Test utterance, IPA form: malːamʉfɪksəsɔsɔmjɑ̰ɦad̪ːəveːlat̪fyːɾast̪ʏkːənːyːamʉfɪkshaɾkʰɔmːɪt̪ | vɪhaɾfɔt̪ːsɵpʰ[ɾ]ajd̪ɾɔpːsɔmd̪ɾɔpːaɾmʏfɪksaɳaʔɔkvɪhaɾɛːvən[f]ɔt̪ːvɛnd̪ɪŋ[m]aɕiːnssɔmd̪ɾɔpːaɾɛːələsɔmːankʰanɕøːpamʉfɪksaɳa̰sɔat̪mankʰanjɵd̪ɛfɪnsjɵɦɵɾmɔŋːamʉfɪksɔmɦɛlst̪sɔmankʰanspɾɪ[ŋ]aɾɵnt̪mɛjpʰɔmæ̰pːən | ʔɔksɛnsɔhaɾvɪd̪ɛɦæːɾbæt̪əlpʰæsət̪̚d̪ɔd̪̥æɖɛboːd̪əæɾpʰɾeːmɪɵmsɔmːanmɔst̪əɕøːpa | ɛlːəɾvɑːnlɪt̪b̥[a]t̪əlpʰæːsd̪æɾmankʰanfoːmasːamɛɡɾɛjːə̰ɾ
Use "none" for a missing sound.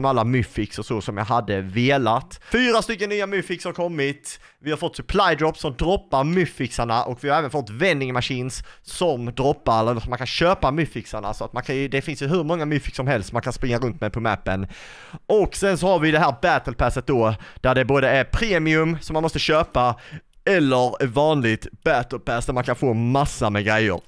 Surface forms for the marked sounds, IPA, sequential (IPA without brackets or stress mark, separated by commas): l, f, m, ŋː, æ